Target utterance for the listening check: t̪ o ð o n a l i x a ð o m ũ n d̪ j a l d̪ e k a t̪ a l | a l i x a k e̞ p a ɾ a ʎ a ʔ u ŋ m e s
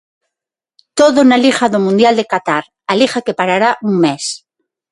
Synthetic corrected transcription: t̪ o ð o n a l i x a ð o m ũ n d̪ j a l d̪ e k a t̪ a ɾ | a l i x a k e̞ p a ɾ a ɾ a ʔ u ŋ m e s